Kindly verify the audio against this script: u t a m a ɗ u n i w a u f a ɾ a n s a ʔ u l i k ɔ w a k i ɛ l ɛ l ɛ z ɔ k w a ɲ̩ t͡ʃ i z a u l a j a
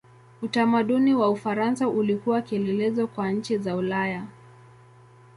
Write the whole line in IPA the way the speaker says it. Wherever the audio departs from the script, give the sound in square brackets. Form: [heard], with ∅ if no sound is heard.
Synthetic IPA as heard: u t a m a ɗ u n i w a u f a ɾ a n s a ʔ u l i k [u] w a k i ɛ l ɛ l ɛ z ɔ k w a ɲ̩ t͡ʃ i z a u l a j a